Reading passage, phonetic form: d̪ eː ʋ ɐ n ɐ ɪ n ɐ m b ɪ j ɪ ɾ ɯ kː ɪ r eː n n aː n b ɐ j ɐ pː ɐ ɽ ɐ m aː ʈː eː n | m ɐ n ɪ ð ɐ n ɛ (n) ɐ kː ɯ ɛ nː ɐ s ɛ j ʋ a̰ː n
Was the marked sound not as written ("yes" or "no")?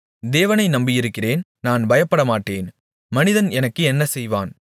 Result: no